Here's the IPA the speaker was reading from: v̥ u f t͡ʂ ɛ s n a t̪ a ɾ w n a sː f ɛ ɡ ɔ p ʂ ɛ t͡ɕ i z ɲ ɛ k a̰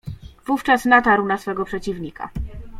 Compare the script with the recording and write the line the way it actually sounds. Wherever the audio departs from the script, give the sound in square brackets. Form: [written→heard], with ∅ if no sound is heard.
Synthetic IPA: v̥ u f t͡ʂ [ɛ→a] s n a t̪ a ɾ w n a [sː→s] f ɛ ɡ ɔ p ʂ ɛ t͡ɕ i [z→v] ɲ [ɛ→i] k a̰